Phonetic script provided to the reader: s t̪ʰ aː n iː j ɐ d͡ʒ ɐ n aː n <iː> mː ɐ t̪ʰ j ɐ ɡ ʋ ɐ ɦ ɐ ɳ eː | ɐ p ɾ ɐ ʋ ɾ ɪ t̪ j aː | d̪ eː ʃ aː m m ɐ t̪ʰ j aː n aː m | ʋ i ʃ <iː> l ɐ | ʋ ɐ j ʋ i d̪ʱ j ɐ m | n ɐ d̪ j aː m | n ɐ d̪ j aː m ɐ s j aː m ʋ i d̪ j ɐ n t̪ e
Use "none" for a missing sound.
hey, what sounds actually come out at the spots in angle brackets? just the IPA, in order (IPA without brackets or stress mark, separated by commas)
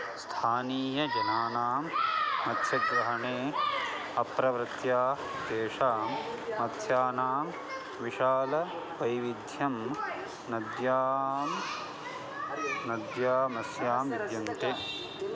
aː, aː